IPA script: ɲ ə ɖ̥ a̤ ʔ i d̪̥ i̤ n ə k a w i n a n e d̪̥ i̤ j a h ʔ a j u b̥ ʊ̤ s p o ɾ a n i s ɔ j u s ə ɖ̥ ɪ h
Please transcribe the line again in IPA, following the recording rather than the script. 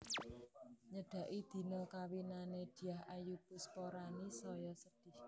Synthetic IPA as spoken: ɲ ə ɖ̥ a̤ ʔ i d̪̥ i̤ n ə k a w i n a n e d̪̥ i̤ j a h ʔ a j u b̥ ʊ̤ s p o ɾ a n i s ɔ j ɔ s ə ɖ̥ ɪ h